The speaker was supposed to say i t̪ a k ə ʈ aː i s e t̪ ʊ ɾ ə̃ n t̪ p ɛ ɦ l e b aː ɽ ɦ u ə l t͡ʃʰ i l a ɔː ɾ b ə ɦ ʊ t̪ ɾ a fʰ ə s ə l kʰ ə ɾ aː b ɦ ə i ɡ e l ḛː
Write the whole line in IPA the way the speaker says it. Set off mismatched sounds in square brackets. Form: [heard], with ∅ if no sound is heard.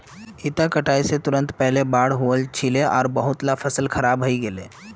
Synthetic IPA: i t̪ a k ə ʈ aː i s e t̪ ʊ ɾ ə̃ n t̪ p ɛ ɦ l e b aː ɽ ɦ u ə l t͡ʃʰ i l [e] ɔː ɾ b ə ɦ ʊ t̪ [l] a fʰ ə s ə l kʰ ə ɾ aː b ɦ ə i ɡ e l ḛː